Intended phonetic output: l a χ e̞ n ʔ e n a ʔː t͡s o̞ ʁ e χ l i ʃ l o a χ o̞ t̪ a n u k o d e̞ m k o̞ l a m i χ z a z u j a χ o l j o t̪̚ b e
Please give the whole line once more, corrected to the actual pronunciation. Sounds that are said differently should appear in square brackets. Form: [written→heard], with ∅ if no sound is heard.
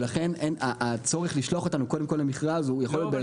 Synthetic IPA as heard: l a χ e̞ n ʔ e n a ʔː t͡s o̞ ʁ e χ l i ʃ l o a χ o̞ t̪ a n u k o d e̞ m k o̞ l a m i χ [z→ʁ] a z u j a χ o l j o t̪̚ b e